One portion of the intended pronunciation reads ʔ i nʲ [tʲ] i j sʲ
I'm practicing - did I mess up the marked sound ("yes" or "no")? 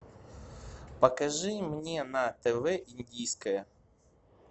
yes